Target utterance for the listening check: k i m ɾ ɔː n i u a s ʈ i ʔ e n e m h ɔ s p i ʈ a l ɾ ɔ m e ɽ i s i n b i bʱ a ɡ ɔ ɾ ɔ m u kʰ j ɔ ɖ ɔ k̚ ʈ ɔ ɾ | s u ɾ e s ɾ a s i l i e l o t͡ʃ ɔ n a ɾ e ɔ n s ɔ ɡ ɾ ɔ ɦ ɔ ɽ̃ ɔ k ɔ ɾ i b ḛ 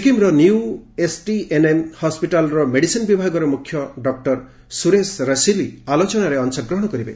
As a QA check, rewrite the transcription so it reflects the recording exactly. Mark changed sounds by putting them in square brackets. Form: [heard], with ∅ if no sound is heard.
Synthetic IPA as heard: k i m ɾ [ɔ] n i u [e] s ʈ i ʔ e n e m h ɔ s p i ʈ a l ɾ ɔ m e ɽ i s i n b i bʱ a ɡ ɔ ɾ ɔ m u kʰ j ɔ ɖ ɔ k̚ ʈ ɔ ɾ | s u ɾ e s ɾ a s i l i [a] l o t͡ʃ ɔ n a ɾ e ɔ n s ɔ ɡ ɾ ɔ ɦ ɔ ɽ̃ ɔ k ɔ ɾ i b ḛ